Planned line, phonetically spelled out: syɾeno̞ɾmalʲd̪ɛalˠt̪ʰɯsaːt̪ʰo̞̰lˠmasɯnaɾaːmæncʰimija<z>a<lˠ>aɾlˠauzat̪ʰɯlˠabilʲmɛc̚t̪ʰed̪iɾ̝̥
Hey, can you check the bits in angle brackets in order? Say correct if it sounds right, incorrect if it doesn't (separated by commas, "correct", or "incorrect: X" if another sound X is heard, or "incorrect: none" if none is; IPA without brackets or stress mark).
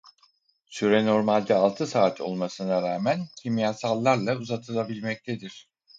incorrect: s, incorrect: lˠː